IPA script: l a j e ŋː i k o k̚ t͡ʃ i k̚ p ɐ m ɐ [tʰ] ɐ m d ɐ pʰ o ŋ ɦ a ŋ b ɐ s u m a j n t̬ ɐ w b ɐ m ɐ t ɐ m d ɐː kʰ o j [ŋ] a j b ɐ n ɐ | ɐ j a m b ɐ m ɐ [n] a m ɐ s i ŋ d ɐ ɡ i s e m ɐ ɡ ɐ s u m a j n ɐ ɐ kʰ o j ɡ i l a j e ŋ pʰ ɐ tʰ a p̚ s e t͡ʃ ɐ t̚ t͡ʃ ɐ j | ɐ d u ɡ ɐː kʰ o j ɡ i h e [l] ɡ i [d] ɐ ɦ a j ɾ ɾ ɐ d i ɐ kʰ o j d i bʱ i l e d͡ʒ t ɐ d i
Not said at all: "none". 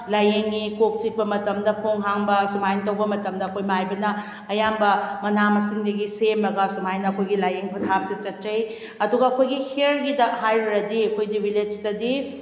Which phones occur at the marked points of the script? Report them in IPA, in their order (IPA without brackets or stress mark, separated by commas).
t, m, n, ɾ, d